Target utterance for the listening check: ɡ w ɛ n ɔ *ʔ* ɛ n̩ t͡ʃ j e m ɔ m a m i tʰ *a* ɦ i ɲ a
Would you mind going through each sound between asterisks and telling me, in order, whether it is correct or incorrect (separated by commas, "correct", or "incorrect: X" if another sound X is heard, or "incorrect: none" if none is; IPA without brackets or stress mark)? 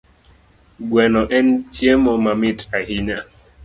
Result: correct, correct